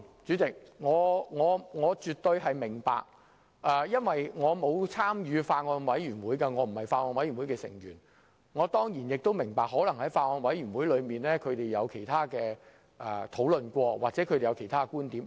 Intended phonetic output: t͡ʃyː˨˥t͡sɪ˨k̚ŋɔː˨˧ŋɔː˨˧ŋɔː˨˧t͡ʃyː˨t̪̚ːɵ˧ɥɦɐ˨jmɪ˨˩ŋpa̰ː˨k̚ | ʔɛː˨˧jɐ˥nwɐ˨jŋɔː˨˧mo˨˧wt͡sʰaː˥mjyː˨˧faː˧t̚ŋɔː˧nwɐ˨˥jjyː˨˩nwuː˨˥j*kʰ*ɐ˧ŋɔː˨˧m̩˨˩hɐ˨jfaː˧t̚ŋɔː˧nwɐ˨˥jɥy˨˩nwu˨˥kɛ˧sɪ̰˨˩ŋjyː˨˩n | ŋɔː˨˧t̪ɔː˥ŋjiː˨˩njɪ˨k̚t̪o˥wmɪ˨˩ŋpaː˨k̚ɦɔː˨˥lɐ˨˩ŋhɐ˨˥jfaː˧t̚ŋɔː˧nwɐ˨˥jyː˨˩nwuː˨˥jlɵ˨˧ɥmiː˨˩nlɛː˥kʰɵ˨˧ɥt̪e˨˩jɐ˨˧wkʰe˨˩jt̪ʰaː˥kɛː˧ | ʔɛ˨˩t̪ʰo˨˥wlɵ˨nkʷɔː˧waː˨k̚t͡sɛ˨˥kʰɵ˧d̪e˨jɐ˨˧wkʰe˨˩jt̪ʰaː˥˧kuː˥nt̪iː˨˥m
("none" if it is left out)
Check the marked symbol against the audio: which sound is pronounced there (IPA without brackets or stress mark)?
k